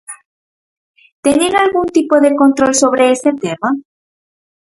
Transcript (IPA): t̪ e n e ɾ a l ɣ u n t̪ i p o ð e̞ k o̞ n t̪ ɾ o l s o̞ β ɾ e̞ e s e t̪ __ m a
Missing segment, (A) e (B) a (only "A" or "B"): A